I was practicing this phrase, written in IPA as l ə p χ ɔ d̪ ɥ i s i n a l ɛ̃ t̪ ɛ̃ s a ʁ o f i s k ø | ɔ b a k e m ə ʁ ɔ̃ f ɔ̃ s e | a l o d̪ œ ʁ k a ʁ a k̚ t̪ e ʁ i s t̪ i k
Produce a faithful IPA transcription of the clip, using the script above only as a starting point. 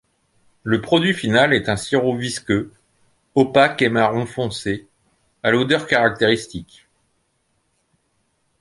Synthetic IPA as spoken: l ə p χ ɔ d̪ ɥ i f i n a l ɛ t̪ ɛ̃ s i ʁ o v i s k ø | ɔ p a k e m a ʁ ɔ̃ f ɔ̃ s e | a l o d̪ œ ʁ k a ʁ a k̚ t̪ e ʁ i s t̪ i k